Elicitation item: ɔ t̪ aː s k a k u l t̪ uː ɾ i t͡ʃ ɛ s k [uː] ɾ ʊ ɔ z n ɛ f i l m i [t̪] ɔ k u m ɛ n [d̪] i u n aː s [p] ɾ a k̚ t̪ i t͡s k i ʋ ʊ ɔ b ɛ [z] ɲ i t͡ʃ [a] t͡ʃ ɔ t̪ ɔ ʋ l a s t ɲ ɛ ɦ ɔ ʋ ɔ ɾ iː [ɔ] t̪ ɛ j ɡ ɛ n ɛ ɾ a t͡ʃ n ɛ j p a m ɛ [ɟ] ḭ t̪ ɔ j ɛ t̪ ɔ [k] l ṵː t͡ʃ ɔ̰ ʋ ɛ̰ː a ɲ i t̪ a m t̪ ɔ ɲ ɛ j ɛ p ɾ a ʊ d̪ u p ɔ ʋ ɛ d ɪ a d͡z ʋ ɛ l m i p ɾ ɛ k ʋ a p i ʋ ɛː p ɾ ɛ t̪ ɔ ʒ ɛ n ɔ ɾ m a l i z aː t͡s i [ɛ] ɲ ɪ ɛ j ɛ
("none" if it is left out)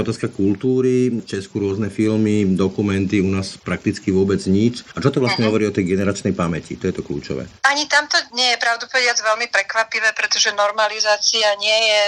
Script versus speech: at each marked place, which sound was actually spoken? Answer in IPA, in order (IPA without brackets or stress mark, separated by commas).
u, d̪, t̪, p, d͡z, a, ɔ, c, k, a